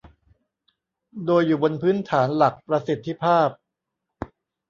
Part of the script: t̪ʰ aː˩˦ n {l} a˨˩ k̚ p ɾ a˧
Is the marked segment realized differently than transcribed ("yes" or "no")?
no